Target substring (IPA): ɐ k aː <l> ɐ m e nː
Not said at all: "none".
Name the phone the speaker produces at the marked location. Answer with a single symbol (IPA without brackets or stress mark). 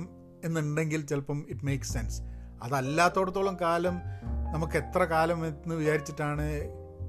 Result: l